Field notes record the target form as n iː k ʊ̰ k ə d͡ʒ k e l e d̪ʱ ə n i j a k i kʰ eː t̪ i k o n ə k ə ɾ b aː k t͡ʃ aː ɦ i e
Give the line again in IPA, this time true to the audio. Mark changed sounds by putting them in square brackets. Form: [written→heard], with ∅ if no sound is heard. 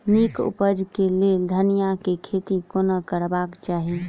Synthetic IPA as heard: n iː k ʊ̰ [k→p] ə d͡ʒ k e l e d̪ʱ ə n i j a k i kʰ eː t̪ i k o n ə k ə ɾ b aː k t͡ʃ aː ɦ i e